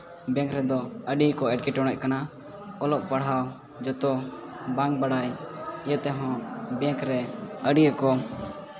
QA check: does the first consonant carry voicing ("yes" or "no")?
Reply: yes